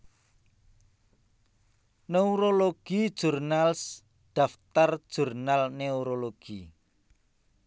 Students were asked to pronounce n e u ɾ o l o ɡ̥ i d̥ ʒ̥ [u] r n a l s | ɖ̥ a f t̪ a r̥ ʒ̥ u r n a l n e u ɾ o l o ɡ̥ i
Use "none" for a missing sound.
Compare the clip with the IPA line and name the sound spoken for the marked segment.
u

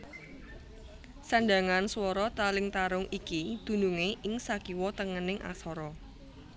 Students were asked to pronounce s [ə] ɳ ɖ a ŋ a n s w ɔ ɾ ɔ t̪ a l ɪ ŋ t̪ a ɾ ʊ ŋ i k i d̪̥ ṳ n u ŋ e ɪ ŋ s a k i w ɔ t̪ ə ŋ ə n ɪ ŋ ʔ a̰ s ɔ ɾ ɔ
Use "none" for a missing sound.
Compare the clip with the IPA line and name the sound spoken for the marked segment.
a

